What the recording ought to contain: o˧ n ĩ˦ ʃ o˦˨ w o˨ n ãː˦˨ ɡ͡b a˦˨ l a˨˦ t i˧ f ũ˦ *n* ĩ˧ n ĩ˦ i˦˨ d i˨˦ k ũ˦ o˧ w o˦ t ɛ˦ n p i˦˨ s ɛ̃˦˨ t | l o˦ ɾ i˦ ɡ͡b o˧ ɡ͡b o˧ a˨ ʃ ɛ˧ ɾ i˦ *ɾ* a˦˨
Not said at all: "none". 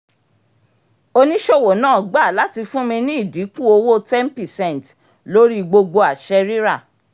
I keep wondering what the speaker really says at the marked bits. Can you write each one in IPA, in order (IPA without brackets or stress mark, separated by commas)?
m, ɾ